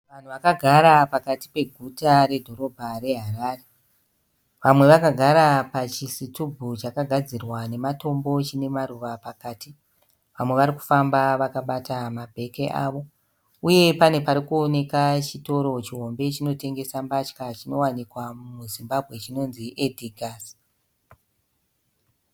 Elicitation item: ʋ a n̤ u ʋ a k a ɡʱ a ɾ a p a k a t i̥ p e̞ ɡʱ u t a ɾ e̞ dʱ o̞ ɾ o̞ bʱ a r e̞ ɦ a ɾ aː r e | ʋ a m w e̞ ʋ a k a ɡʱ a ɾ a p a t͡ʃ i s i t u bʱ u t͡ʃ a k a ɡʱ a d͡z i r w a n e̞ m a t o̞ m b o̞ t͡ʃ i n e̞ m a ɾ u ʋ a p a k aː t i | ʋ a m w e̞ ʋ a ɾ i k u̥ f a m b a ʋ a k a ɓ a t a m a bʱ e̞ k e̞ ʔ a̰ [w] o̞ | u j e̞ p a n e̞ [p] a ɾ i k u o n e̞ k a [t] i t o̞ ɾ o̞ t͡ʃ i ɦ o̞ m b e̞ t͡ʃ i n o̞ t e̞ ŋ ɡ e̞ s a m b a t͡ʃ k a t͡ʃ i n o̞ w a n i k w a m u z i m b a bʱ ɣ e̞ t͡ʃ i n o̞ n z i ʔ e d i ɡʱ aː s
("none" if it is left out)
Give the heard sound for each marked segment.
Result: ʋ, p, t͡ʃ

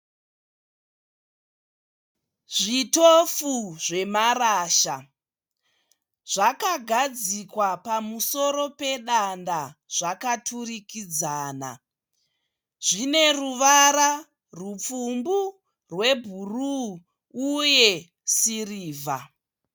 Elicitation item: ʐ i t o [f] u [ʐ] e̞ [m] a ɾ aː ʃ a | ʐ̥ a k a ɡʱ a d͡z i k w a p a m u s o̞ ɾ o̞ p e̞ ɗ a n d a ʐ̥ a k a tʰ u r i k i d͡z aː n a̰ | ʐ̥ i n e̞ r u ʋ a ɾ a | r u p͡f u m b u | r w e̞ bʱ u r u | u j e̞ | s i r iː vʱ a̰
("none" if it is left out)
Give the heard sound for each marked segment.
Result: f, ʐ, m

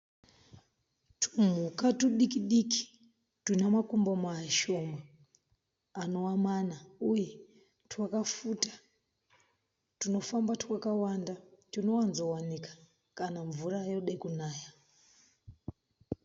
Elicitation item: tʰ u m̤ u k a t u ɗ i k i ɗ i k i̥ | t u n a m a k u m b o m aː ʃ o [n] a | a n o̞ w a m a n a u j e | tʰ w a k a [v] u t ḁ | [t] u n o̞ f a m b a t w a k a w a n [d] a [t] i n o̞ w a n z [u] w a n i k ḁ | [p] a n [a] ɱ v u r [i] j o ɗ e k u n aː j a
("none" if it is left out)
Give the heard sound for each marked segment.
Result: m, f, t, d, t, o, k, a, a

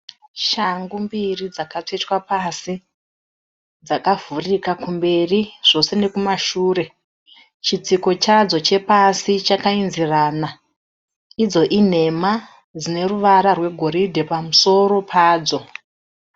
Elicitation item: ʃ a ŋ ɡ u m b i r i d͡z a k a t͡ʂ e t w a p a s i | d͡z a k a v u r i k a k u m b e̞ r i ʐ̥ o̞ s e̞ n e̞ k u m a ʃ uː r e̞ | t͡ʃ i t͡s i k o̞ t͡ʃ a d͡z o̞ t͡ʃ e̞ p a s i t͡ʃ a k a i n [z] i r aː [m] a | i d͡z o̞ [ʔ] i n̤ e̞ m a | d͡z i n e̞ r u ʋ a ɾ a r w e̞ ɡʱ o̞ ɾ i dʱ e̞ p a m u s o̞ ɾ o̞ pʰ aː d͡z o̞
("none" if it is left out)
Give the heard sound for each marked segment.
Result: z, n, ʔ

